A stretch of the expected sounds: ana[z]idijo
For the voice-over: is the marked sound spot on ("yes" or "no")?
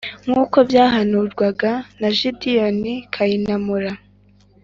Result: no